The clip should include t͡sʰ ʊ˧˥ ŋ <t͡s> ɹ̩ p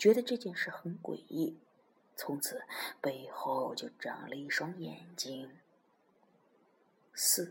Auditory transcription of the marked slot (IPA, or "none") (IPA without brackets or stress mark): t͡sʰ